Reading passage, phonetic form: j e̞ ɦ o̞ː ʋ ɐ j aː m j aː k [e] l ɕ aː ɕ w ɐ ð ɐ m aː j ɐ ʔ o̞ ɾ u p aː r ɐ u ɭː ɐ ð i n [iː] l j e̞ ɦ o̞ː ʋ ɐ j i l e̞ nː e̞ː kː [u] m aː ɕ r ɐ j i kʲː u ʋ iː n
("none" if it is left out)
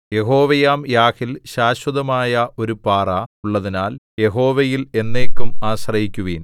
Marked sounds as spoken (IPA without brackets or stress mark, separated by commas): i, aː, u